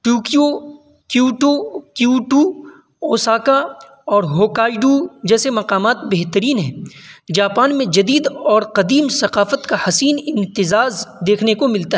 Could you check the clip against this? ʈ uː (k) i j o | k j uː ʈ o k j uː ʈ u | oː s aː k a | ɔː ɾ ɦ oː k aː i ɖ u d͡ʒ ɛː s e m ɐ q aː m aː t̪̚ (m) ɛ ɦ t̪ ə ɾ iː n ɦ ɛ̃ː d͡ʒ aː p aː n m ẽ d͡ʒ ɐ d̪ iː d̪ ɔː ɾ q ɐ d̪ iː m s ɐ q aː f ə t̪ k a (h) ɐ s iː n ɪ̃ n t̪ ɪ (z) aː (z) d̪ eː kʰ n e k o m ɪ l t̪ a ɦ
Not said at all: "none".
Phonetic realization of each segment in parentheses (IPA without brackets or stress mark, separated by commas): k, b, h, z, z